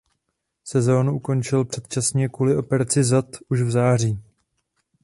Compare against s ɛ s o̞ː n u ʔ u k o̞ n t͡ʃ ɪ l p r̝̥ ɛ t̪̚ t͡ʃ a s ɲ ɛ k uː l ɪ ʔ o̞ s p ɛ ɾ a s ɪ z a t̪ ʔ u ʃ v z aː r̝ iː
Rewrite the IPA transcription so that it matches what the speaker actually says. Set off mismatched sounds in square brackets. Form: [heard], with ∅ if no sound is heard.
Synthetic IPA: s ɛ [z] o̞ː n u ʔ u k o̞ n t͡ʃ ɪ l p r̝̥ ɛ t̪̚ t͡ʃ a s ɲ ɛ k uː l ɪ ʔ o̞ [∅] p ɛ ɾ a [t͡s] ɪ z a t̪ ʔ u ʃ v z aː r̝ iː